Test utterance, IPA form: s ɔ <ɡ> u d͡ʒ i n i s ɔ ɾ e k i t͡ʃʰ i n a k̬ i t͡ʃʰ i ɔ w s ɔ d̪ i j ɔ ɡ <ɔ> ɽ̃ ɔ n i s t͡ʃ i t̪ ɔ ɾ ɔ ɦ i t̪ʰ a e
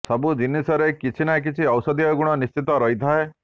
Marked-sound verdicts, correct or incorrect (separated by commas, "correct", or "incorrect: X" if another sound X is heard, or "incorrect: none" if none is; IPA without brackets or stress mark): incorrect: b, incorrect: u